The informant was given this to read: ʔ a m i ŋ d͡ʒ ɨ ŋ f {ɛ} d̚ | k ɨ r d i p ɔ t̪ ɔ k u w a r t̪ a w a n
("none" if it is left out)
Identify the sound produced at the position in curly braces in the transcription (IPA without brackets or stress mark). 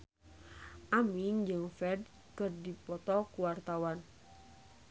ɛ